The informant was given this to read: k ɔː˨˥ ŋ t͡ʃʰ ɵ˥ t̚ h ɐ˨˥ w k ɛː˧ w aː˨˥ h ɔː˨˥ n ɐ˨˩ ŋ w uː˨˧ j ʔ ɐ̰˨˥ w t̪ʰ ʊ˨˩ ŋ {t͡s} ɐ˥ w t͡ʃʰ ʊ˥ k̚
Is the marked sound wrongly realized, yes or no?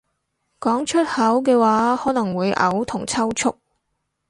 yes